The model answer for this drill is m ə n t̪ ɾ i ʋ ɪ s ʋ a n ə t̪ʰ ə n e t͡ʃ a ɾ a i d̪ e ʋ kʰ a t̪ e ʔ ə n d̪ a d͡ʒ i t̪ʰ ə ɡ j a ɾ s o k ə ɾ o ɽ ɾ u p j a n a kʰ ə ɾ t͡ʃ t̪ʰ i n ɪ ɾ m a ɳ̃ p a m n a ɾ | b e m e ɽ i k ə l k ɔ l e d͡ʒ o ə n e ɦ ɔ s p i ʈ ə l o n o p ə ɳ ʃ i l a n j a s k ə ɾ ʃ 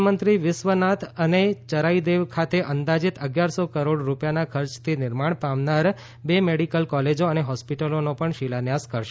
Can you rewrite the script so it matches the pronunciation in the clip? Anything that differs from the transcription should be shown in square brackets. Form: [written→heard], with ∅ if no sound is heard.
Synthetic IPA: m ə n t̪ ɾ i ʋ ɪ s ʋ [a→ə] n [ə→a] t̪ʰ ə n e t͡ʃ [a→ə] ɾ a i d̪ e ʋ kʰ a t̪ e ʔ ə n d̪ a d͡ʒ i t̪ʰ ə ɡ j a ɾ s o k ə ɾ o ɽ ɾ u p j a n a kʰ ə ɾ t͡ʃ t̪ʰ i n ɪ ɾ m a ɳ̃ p a m n a ɾ | b e m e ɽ i k ə l k ɔ l e d͡ʒ o ə n e ɦ ɔ s p i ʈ ə l o n o p ə ɳ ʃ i l a n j a s k ə ɾ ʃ

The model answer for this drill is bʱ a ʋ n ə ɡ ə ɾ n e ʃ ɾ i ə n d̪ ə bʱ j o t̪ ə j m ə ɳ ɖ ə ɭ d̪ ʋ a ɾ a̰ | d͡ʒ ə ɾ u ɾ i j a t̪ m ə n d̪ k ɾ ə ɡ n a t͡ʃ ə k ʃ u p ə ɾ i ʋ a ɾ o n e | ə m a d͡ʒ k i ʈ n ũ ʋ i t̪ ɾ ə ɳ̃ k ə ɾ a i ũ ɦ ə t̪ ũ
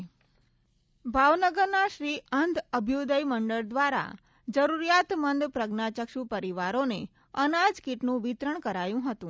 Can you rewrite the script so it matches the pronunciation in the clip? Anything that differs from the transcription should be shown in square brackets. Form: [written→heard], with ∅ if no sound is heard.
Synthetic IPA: bʱ a ʋ n ə ɡ ə ɾ n [e→a] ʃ ɾ i ə n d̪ ə bʱ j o [t̪→d̪] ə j m ə ɳ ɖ ə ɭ d̪ ʋ a ɾ a̰ | d͡ʒ ə ɾ u ɾ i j a t̪ m ə n d̪ [k→p] ɾ ə ɡ n a t͡ʃ ə k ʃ u p ə ɾ i ʋ a ɾ o n e | ə [m→n] a d͡ʒ k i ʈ n ũ ʋ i t̪ ɾ ə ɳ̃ k ə ɾ a [i→j] ũ ɦ ə t̪ ũ

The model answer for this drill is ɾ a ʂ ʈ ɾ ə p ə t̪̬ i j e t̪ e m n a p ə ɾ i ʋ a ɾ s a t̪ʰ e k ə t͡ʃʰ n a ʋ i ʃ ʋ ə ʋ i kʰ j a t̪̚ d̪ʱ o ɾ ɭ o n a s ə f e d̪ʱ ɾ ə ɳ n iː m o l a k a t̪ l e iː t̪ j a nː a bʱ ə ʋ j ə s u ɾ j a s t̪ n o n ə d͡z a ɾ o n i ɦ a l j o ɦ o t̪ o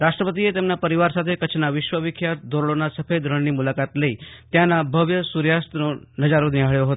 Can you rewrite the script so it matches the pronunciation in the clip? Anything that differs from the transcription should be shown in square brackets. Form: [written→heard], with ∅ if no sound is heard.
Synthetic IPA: ɾ a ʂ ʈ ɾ ə p ə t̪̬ i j e t̪ e m n a p ə ɾ i ʋ a ɾ s a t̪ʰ e k ə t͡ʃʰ n a ʋ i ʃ ʋ ə ʋ i kʰ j a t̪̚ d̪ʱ o ɾ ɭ o n a s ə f e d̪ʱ ɾ ə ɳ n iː m [o→u] l a k a t̪ l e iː t̪ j a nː a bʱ ə ʋ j ə s u ɾ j a s t̪ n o n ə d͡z a ɾ o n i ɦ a [l→ɭ] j o ɦ o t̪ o

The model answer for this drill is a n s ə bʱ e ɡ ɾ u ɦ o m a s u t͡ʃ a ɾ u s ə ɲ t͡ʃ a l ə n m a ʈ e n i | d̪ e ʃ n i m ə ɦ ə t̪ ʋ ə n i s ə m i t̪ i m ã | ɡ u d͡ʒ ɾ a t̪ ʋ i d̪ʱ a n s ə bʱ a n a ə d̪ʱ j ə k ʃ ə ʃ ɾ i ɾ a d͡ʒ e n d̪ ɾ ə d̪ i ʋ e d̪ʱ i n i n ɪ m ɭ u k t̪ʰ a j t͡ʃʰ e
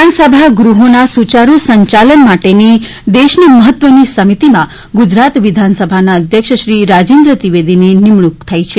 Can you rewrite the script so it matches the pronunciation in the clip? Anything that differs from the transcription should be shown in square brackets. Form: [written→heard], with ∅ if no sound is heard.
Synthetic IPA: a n s ə bʱ [e→a] ɡ ɾ u ɦ o [m→n] a s u t͡ʃ a ɾ u s ə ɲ t͡ʃ a l ə n m a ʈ e n i | d̪ e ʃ n i m ə ɦ ə t̪ ʋ ə n i s ə m i t̪ i m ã | ɡ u d͡ʒ ɾ a t̪ ʋ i d̪ʱ a n s ə bʱ a n a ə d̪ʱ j ə k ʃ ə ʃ ɾ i ɾ a d͡ʒ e n d̪ ɾ ə [d̪→t̪] i ʋ e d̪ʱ i n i n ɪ m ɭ u k t̪ʰ a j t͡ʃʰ e

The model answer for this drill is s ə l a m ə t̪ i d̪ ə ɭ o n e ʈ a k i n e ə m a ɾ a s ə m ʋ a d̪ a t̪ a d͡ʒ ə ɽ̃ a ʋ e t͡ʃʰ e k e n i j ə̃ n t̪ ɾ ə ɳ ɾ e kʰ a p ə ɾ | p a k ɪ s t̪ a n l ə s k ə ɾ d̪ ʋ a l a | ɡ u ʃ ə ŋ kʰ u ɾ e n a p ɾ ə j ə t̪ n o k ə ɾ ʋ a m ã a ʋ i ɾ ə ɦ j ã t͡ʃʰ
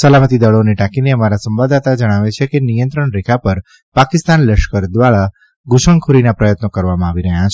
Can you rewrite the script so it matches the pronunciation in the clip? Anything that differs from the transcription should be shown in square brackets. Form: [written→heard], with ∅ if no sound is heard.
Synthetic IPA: s ə l a m ə t̪ i d̪ ə ɭ o n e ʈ a k i n e ə m a ɾ a s ə m ʋ a d̪ a t̪ a d͡ʒ ə ɽ̃ a ʋ e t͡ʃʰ e k e n i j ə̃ n t̪ ɾ ə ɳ ɾ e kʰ a p ə ɾ | p a k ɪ s t̪ a n l ə [s→ʃ] k ə ɾ d̪ ʋ a [l→ɭ] a | ɡ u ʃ ə ŋ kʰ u ɾ [e→i] n a p ɾ ə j ə t̪ n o k ə ɾ ʋ a m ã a ʋ i ɾ ə ɦ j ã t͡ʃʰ

